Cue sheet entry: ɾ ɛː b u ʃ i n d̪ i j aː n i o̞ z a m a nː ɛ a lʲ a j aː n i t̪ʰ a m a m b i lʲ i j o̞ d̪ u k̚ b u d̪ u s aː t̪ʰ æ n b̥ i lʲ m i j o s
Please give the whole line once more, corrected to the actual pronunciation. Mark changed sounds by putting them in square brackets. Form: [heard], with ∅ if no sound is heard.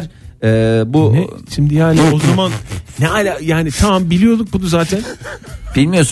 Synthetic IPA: ɾ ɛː b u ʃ i [m] d̪ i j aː n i o̞ z a m a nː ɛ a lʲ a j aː n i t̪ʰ a m a m b i lʲ i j o̞ d̪ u k̚ b u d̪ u [z] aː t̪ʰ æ n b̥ i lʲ m i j o s